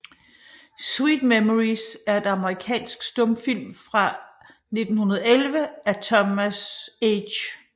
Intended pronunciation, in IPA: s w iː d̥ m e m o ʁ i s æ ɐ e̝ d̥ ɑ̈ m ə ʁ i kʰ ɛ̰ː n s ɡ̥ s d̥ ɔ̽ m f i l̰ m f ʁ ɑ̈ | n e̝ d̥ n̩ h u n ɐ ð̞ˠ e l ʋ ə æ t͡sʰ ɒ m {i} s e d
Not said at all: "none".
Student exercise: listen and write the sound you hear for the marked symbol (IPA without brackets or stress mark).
æ